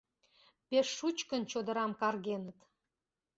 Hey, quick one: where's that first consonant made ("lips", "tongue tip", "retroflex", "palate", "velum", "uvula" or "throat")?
lips